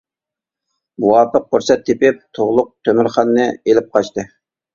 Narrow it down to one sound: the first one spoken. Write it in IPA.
m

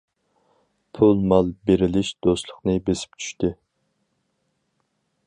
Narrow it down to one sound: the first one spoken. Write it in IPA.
pʰ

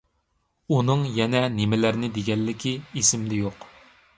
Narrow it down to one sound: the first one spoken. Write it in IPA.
u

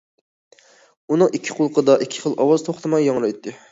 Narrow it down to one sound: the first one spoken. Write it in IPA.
u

